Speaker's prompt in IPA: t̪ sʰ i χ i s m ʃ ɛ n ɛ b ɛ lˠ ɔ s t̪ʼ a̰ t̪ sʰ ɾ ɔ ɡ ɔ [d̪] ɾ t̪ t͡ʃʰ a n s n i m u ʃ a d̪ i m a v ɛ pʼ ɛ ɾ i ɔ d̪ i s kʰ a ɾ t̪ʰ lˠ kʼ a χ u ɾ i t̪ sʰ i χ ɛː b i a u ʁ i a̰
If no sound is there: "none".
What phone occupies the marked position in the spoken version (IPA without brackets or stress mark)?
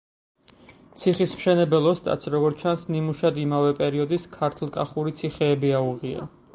none